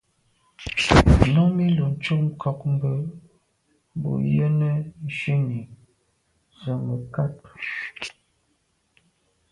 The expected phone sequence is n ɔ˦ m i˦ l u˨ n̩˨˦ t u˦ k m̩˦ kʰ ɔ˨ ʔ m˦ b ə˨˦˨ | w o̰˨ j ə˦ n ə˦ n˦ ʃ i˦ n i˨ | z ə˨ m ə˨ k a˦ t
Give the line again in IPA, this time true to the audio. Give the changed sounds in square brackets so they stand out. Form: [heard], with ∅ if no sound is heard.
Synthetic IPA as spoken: n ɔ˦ m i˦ l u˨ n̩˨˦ [t͡ʃ] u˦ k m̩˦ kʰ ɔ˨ [k] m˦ b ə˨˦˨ | [b] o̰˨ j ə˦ n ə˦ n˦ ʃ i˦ n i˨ | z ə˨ m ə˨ k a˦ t